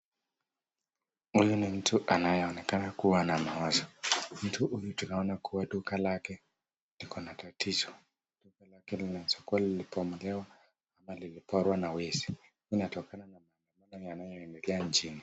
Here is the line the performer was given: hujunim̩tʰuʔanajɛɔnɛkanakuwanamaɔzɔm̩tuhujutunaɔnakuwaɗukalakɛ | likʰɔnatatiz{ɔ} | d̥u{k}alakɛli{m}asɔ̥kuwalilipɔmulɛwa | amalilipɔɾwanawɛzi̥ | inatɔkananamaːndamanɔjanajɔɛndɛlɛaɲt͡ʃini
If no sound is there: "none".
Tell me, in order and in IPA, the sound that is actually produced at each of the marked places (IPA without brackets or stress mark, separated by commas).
ɔ, k, n